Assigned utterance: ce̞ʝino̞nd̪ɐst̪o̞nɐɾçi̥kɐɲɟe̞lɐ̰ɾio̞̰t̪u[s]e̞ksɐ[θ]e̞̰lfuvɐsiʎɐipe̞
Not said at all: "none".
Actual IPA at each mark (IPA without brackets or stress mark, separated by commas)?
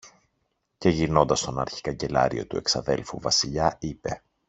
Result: none, ð